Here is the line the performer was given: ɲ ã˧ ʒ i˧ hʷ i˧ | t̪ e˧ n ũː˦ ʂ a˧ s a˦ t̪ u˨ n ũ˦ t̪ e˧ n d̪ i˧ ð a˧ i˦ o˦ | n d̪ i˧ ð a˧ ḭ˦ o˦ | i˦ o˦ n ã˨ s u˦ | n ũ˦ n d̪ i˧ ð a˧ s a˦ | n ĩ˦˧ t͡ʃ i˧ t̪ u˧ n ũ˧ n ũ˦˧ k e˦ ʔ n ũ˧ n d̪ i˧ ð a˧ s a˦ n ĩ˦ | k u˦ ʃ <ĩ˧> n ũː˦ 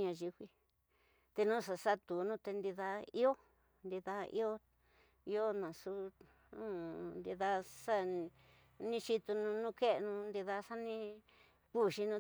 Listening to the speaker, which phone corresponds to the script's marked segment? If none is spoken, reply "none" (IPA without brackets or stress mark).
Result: i˧